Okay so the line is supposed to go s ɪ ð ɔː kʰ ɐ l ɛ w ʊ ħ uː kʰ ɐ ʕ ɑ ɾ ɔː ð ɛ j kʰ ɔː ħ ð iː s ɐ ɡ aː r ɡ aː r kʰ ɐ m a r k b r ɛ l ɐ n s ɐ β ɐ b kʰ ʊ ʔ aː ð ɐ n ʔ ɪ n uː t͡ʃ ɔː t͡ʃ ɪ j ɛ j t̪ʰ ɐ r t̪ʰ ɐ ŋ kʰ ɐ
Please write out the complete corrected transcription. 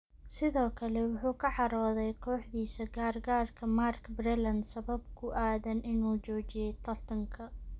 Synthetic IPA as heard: s ɪ ð ɔː kʰ ɐ l ɛ w ʊ ħ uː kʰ ɐ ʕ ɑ ɾ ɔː ð ɛ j kʰ ɔː ħ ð iː s ɐ ɡ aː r ɡ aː r kʰ ɐ m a r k b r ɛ l ɐ n s ɐ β ɐ b kʰ ʊ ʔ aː ð ɐ n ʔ ɪ n uː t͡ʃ ɔː t͡ʃ ɪ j ɛ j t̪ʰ ɐ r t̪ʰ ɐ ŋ kʰ ɐ